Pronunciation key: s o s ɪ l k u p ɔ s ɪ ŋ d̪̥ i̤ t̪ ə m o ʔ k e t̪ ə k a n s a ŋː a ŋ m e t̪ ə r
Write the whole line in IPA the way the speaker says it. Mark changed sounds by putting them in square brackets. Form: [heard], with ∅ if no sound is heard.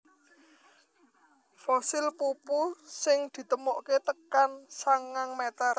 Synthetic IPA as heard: [f] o s ɪ l [p] u p [u] s ɪ ŋ d̪̥ i̤ t̪ ə m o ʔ k e t̪ ə k a n s a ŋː a ŋ m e t̪ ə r